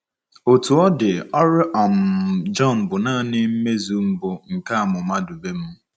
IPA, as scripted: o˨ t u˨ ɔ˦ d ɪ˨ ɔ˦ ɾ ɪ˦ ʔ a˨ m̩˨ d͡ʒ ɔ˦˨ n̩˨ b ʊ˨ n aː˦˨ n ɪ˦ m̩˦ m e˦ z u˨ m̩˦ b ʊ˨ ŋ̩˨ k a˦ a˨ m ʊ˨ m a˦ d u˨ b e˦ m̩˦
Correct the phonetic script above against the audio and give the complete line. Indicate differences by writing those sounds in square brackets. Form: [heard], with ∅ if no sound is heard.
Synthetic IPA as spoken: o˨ t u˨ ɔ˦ d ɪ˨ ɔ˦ ɾ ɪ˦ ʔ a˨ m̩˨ d͡ʒ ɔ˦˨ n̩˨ b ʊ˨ n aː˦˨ n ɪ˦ m̩˦ m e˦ z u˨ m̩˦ b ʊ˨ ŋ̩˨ k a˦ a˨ m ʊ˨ m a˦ d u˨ b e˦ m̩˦